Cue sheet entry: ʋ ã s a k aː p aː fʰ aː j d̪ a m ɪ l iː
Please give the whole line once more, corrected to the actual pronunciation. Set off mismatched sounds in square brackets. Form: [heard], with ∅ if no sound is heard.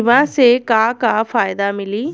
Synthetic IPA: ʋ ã s [e] k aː [k] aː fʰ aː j d̪ a m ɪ l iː